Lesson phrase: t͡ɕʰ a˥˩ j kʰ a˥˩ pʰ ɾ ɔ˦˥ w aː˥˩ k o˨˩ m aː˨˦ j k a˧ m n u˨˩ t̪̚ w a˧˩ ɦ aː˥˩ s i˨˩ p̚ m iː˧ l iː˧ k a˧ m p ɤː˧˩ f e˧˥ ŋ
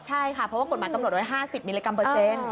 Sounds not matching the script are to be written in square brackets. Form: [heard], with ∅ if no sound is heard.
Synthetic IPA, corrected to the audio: t͡ɕʰ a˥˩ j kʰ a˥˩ pʰ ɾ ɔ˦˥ w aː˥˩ k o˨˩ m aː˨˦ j k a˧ m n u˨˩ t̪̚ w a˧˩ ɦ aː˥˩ s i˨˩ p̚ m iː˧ l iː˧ k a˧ m p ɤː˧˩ [s] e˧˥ [n]